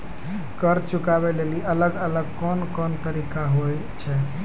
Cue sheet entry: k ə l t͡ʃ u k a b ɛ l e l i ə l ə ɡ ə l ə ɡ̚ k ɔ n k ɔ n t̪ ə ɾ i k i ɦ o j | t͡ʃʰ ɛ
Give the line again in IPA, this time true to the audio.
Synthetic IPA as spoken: k ə ɾ t͡ʃ u k a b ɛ l e l i ə l ə ɡ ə l ə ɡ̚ k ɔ n k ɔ n t̪ ə ɾ i k a ɦ o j | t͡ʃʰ ɛ

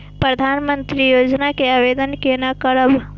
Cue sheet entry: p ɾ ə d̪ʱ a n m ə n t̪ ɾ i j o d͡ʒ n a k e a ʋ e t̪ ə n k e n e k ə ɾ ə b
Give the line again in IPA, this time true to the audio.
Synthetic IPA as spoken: p ɾ ə d̪ʱ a n m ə n t̪ ɾ i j o d͡ʒ n a k e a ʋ e d̪ ə n k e n a k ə ɾ ə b

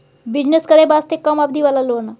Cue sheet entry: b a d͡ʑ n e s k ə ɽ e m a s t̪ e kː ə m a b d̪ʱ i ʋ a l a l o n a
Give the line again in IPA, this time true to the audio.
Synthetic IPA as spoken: b i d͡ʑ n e s k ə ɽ e b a s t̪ e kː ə m a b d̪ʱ i ʋ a l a l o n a

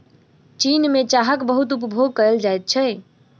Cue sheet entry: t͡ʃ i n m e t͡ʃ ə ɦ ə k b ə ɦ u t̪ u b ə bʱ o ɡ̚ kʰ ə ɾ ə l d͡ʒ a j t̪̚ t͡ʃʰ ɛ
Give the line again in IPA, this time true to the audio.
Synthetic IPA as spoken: t͡ʃ i n m e t͡ʃ a ɦ ə k b ə ɦ u t̪ u p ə bʱ o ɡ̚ k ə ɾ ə l d͡ʒ a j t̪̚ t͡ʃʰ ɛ

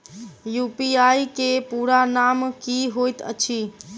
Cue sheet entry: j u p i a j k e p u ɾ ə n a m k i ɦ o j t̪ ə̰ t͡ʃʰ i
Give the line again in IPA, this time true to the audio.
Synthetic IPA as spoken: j u p i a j k e p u ɾ a n a m k i ɦ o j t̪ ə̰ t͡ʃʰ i

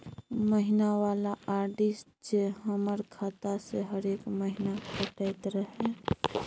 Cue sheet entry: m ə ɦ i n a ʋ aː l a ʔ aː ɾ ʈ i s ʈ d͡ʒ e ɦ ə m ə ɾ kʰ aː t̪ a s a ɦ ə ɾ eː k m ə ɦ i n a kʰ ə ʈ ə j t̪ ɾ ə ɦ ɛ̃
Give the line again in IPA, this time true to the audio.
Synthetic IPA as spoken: m ə ɦ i n a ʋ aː l a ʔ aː ɾ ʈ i s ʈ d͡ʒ e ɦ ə m ə ɾ kʰ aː t̪ a s e ɦ ə ɾ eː k m ə ɦ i n a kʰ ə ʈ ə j t̪ ɾ ə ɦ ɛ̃

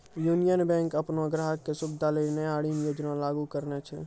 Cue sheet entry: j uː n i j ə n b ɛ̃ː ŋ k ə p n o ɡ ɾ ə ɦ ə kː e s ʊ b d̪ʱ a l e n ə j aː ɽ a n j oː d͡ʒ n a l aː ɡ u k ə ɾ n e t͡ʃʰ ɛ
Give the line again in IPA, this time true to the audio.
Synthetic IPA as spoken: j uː n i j ə n b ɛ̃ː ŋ k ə p n o ɡ ɾ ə ɦ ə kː e s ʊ b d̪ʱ a l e n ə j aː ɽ i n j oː d͡ʒ n a l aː ɡ u k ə ɾ n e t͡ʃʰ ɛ

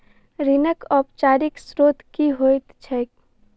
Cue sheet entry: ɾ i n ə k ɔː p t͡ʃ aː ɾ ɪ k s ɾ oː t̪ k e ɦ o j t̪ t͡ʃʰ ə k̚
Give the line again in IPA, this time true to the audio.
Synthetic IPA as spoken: ɾ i n ə k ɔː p t͡ʃ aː ɾ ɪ k s ɾ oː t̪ k i ɦ o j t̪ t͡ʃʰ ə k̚

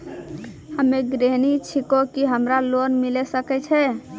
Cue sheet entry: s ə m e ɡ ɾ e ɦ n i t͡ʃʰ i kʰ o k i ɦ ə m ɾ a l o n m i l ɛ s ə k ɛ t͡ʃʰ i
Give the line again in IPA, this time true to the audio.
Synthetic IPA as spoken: h ə m e ɡ ɾ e ɦ n i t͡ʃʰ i k o k i ɦ ə m ɾ a l o n m i l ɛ s ə k ɛ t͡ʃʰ ɛ

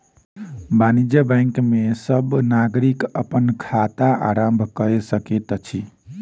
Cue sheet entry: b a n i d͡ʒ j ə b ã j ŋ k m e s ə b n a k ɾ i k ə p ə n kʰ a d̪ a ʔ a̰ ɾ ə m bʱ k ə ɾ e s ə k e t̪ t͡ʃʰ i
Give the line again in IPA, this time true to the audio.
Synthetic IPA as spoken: b a n i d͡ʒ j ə b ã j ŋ k m e s ə b n a ɡ ɾ i k ə p ə n kʰ a t̪ a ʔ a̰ ɾ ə m bʱ k ə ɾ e s ə k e t̪ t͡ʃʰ i

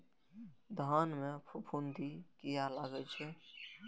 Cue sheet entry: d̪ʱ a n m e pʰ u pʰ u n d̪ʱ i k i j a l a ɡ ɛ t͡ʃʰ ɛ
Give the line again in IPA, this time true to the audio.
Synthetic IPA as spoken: d̪ʱ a n m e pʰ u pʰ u n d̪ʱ i k i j a l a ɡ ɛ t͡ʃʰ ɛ

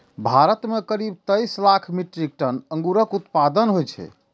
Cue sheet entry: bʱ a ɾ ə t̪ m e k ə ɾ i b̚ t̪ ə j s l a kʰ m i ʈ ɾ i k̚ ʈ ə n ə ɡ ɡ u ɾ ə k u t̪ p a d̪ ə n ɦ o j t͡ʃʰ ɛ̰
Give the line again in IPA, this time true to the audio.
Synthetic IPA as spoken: bʱ a ɾ ə t̪ m e k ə ɾ i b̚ t̪ ə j s l a kʰ m i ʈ ɾ i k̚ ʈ ə n ə ŋ ɡ u ɾ ə k u t̪ p a d̪ ə n ɦ o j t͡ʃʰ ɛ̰

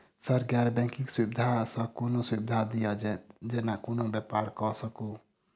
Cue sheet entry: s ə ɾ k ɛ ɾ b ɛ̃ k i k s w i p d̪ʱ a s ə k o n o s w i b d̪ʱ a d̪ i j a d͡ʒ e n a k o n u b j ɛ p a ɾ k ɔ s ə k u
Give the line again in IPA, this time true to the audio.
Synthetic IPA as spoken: s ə ɾ ɡ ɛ ɾ b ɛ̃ k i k s w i b d̪ʱ a s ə k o n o s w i b d̪ʱ a d̪ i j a d͡ʒ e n a k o n o b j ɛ p a ɾ k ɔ s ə k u

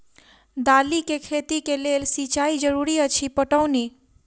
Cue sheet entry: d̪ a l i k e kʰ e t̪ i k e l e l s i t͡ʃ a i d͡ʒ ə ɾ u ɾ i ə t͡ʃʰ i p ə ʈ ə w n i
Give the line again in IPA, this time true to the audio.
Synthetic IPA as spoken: d̪ a l i k e kʰ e t̪ i k e l e l s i t͡ʃ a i d͡ʒ ə ɾ u ɾ i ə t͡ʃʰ i p ə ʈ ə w n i

